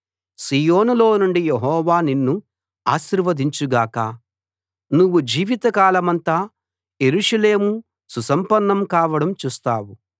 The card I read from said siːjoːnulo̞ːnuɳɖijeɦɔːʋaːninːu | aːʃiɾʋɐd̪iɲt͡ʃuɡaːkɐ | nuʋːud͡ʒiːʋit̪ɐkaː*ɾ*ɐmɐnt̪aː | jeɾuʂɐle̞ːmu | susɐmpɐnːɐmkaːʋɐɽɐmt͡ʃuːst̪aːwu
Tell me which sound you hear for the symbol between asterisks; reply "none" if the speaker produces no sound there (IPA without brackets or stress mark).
l